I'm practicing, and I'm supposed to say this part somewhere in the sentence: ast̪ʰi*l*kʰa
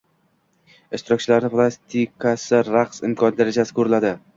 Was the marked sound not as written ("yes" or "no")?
yes